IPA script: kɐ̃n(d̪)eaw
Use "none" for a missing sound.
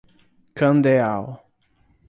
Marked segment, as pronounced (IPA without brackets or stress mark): d̪